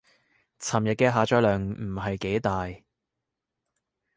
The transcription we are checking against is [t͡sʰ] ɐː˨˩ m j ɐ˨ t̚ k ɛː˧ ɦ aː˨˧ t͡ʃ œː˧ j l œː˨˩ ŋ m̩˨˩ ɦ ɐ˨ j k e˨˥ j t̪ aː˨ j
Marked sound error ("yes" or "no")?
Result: no